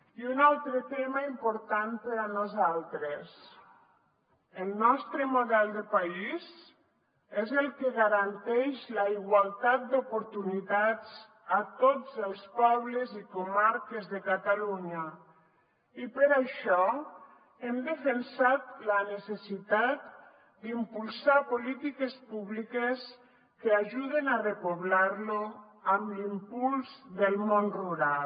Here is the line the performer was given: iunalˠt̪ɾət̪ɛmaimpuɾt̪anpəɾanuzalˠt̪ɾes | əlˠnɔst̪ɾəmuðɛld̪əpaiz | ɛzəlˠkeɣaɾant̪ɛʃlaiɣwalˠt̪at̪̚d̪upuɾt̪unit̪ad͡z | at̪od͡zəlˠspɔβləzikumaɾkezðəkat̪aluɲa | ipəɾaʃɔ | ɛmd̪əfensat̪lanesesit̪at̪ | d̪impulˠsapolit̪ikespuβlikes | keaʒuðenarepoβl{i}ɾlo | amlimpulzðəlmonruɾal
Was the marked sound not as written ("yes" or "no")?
yes